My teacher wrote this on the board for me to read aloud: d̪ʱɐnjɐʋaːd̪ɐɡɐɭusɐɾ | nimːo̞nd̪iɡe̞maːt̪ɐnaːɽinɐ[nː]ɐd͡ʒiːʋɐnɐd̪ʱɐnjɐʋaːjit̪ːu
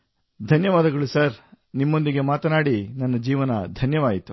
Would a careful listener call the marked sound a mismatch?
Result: no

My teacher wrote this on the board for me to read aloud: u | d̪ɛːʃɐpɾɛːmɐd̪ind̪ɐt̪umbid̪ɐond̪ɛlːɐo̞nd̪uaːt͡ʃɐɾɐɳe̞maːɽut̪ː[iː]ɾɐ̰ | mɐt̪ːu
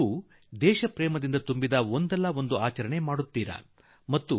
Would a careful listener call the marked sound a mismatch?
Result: no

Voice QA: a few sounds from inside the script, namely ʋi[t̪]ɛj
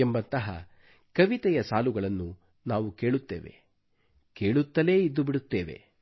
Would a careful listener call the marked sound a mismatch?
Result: no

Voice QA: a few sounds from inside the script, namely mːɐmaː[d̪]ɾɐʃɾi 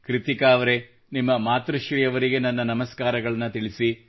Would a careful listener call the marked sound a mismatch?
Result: yes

